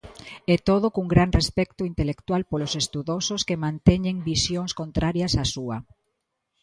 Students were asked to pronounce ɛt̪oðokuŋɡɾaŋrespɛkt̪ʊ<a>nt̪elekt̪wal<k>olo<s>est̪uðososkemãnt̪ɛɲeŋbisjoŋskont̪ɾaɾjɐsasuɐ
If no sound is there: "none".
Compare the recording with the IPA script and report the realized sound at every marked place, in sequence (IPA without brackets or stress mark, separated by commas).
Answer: i, p, s